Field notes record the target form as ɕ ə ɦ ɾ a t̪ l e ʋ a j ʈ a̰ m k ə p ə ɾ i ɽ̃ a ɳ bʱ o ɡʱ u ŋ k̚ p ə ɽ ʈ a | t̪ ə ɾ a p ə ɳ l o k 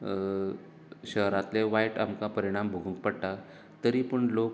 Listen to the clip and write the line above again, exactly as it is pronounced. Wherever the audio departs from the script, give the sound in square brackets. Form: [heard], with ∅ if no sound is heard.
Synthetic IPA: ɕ ə ɦ ɾ a t̪ l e ʋ a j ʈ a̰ m k [a] p ə ɾ i ɽ̃ a [m] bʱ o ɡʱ u ŋ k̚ p ə ɽ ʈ a | t̪ ə ɾ [i] p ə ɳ l o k